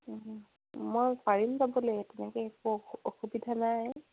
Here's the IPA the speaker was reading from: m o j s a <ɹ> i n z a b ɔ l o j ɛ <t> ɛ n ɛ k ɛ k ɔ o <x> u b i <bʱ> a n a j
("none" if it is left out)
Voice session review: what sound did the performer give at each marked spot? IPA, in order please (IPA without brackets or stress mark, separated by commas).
ɹ, t, x, dʱ